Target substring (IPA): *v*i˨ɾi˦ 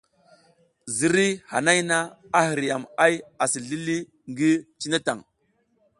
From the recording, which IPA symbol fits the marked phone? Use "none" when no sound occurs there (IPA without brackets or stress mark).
z